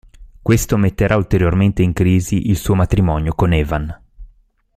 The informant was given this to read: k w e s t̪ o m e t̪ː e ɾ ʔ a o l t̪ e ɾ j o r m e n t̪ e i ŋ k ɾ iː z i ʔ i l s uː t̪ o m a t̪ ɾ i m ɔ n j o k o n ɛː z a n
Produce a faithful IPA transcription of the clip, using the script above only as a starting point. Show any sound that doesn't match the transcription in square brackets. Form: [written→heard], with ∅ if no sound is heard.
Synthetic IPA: k w e s t̪ o m e t̪ː e ɾ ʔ a [o→u] l t̪ e ɾ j o r m e n t̪ e i ŋ k ɾ iː z i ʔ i l s uː [t̪→∅] o m a t̪ ɾ i m ɔ n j o k o n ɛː [z→v] a n